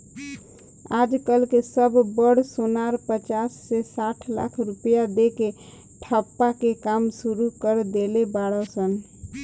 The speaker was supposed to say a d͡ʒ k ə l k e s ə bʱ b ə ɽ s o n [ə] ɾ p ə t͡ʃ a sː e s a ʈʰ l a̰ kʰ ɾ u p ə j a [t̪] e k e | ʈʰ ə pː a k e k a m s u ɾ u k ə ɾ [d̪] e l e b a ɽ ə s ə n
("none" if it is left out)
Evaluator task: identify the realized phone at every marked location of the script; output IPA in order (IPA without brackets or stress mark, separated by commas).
a, d̪, d̪